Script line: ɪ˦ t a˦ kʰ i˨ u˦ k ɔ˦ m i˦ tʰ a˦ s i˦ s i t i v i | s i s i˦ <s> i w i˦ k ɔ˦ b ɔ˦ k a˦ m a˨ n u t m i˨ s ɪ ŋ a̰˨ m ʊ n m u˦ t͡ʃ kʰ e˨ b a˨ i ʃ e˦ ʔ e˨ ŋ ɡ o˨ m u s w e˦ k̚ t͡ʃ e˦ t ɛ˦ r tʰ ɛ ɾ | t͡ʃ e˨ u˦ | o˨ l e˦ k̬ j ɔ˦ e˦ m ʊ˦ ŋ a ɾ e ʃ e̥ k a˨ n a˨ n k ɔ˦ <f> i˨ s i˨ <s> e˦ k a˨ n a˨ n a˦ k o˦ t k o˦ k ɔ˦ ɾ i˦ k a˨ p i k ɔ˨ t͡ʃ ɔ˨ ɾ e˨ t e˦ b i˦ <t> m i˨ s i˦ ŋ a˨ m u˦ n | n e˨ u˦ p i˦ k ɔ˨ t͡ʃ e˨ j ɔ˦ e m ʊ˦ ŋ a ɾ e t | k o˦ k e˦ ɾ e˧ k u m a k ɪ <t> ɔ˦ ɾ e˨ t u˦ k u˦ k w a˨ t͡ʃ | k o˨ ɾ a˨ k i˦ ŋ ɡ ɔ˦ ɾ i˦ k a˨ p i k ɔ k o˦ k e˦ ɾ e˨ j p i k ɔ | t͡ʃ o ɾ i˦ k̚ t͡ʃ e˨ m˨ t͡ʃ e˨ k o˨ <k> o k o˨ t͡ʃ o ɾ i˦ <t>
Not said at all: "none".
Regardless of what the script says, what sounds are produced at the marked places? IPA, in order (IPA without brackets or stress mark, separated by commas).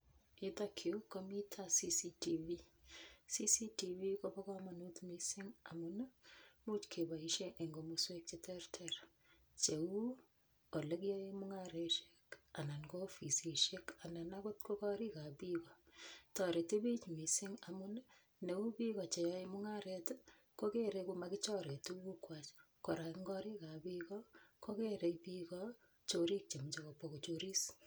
t, f, ʃ, t͡ʃ, t͡ʃ, p, s